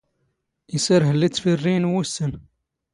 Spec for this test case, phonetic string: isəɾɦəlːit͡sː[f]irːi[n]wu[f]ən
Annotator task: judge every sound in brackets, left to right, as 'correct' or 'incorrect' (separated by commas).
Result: correct, correct, incorrect